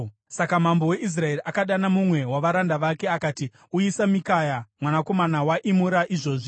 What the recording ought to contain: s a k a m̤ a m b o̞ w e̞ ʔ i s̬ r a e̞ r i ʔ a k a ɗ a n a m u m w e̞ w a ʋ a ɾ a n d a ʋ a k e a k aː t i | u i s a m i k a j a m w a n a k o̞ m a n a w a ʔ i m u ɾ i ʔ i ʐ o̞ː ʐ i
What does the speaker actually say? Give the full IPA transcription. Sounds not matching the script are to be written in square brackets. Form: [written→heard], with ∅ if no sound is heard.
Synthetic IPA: s a k a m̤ a m b o̞ w e̞ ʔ i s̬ r a e̞ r i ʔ a k a ɗ a n a m u m w e̞ w a ʋ a ɾ a n d a ʋ a k e a k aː t i | u i s a m i k a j a m w a n a k o̞ m a n a w a ʔ i m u ɾ [i→a] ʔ i ʐ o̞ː ʐ i